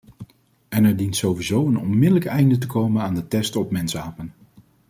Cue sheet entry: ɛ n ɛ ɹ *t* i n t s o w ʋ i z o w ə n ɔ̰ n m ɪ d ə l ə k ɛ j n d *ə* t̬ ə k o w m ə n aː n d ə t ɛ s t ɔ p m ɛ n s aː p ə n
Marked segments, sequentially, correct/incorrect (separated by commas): incorrect, correct